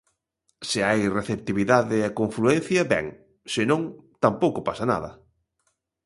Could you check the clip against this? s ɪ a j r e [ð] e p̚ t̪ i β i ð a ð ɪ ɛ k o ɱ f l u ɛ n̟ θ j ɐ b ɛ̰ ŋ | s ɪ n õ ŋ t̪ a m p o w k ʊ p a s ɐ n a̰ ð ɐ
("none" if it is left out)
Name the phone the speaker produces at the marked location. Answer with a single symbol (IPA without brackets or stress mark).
θ